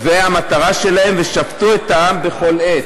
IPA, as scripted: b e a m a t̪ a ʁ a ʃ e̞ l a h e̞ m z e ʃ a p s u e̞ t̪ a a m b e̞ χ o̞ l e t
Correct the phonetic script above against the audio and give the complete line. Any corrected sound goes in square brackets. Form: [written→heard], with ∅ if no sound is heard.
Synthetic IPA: [b→v] e a m a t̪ a ʁ a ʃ e̞ l a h e̞ m [z→v] e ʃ a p [s→t] u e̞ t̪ a a m b e̞ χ o̞ l e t